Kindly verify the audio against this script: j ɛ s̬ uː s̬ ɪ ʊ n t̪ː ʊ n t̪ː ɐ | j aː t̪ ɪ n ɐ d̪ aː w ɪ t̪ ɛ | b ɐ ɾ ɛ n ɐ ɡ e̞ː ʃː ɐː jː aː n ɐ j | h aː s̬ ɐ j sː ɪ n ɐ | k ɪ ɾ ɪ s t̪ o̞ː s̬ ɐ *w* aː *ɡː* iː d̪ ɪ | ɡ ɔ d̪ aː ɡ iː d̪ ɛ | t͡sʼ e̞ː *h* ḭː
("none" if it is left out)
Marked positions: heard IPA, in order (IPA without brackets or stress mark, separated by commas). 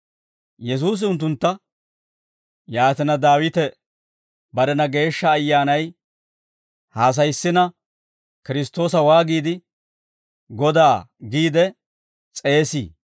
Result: w, ɡ, s